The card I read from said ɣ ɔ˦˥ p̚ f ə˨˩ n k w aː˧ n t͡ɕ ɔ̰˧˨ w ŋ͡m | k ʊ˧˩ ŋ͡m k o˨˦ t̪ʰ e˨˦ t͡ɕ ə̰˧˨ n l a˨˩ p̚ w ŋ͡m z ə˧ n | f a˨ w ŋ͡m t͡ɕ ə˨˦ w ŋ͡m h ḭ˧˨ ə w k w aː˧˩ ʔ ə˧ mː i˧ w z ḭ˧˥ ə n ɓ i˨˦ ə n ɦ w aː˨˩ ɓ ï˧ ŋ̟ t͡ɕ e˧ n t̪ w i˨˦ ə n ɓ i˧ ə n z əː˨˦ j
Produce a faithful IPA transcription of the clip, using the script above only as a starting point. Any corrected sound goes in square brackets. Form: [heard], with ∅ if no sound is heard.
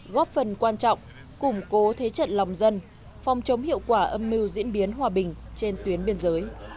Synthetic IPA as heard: ɣ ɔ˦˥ p̚ f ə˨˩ n k w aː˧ n t͡ɕ ɔ̰˧˨ w ŋ͡m | k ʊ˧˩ ŋ͡m k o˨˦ t̪ʰ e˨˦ t͡ɕ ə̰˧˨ n l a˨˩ [∅] w ŋ͡m z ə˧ n | f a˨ w ŋ͡m t͡ɕ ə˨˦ w ŋ͡m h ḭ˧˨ ə w k w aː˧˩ ʔ ə˧ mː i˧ w z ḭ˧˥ ə n ɓ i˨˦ ə n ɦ w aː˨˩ ɓ [ï˨˩] ŋ̟ t͡ɕ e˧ n t̪ w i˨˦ ə n ɓ i˧ ə n z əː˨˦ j